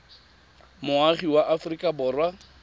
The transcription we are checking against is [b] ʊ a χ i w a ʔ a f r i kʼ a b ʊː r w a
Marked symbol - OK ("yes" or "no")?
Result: no